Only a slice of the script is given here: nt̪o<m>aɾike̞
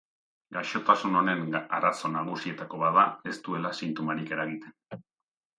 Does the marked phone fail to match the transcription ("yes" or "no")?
no